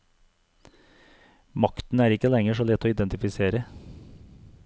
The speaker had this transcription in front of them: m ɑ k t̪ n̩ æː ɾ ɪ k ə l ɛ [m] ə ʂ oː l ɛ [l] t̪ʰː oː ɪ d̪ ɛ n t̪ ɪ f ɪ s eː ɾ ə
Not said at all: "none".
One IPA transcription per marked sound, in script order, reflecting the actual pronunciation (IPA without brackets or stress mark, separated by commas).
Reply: ŋ, none